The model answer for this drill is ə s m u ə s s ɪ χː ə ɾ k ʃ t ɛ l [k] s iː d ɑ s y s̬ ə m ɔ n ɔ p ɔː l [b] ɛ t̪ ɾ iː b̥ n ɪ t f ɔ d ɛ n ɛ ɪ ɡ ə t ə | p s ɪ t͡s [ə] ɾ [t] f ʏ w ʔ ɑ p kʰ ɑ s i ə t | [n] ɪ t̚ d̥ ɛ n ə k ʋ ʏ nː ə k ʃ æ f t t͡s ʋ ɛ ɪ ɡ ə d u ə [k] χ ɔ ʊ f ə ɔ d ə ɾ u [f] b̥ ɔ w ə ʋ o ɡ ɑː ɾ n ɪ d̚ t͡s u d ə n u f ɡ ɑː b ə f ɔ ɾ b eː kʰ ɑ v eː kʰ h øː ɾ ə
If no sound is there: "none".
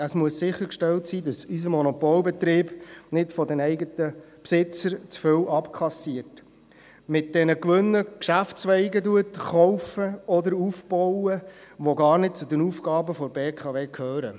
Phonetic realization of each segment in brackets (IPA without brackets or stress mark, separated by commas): t, b, ə, t͡s, m, t, f